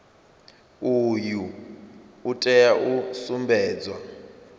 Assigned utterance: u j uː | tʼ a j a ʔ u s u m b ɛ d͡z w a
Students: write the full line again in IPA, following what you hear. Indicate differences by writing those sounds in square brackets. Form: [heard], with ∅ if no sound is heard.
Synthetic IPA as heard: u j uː | tʼ [ɛ] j a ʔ u s u m b [ɛː] d͡z w a